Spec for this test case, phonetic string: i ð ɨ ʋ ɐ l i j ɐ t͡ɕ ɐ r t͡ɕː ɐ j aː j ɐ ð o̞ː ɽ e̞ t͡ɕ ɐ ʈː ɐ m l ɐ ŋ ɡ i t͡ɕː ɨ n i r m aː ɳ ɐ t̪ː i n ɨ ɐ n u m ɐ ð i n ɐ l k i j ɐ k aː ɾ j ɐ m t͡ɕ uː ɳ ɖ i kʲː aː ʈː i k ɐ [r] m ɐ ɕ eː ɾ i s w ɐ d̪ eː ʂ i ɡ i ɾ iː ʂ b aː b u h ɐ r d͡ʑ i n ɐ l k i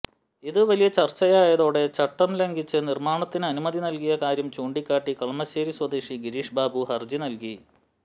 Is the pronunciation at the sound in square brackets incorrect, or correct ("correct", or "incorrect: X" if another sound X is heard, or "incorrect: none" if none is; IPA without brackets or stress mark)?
incorrect: ɭ